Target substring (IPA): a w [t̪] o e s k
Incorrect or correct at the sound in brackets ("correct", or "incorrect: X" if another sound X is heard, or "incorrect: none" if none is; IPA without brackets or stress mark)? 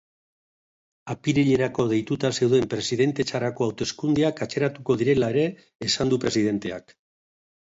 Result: correct